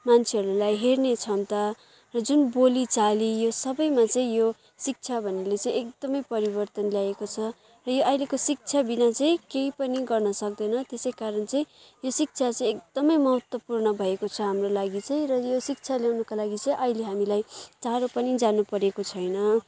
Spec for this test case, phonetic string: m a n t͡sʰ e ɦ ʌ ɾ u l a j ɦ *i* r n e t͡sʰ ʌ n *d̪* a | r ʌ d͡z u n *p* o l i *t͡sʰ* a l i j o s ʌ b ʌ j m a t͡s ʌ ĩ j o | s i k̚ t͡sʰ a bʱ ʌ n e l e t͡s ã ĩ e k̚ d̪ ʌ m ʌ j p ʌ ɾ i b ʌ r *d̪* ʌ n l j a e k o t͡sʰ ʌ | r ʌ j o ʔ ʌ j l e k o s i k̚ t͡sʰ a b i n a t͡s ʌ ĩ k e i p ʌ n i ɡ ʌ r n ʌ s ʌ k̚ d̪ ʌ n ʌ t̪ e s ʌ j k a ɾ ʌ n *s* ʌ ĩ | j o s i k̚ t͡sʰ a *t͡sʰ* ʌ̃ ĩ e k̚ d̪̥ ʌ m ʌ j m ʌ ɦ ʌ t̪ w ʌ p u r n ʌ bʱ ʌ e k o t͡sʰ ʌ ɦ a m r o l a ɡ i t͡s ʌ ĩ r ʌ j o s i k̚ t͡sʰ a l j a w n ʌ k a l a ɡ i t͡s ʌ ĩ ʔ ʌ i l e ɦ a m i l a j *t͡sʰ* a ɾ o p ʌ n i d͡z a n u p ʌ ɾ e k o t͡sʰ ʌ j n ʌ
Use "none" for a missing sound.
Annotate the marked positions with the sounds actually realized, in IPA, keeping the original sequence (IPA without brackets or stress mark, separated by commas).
e, t̪, b, t͡s, t̪, t͡s, t͡s, t͡s